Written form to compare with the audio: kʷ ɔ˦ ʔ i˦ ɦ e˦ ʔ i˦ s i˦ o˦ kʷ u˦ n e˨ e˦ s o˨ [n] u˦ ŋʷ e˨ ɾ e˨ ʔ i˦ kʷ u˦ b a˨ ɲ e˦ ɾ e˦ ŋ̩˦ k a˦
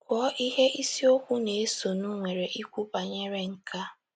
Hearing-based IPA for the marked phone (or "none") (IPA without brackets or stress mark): n